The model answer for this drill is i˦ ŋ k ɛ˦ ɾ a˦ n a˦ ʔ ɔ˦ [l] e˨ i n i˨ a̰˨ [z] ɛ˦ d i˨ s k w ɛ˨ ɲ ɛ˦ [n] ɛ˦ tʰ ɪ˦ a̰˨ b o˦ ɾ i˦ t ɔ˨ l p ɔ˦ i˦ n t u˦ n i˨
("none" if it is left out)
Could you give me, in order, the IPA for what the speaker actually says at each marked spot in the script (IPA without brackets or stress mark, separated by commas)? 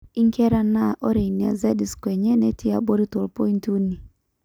ɾ, z, n